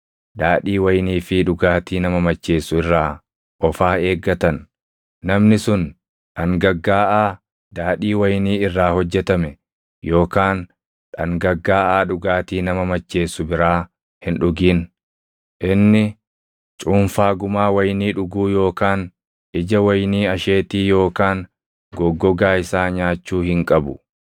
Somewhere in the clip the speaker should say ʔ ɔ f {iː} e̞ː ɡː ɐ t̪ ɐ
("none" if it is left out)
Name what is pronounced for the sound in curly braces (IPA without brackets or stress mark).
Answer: aː